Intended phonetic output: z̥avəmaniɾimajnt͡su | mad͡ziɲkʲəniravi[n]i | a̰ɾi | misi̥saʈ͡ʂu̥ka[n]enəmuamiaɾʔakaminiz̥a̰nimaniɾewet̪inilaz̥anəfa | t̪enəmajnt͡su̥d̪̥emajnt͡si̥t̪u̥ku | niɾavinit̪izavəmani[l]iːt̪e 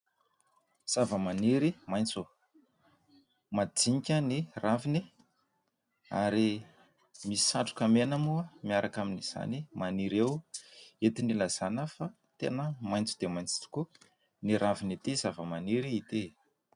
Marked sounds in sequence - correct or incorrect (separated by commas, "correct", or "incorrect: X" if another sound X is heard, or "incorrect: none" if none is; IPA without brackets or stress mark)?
correct, incorrect: m, incorrect: ɾ